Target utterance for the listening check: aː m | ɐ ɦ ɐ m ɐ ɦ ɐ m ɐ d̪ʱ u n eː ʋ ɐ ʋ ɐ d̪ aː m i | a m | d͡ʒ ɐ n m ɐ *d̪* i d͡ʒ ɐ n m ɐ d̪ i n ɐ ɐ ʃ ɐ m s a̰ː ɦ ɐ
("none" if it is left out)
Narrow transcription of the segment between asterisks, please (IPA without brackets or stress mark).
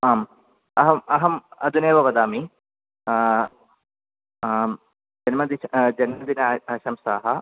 d̪